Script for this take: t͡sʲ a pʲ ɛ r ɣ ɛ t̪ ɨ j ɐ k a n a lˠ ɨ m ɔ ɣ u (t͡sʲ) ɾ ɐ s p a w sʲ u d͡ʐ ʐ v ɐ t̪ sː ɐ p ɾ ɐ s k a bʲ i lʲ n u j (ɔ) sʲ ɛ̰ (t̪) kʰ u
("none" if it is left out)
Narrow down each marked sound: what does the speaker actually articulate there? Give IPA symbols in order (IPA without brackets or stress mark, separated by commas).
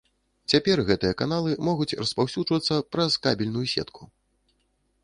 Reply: t͡sʲ, u, t̪